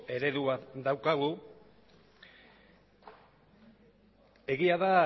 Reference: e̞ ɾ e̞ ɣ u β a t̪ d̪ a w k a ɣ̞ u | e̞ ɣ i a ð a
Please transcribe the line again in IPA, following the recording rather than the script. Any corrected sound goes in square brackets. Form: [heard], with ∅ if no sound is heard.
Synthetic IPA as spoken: e̞ ɾ e̞ [ð] u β a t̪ d̪ a w k a ɣ̞ u | e̞ ɣ i a ð a